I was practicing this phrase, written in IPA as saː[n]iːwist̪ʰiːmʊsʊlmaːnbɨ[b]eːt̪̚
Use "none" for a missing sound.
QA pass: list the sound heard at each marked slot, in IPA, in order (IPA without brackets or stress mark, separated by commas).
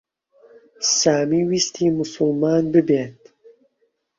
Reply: m, b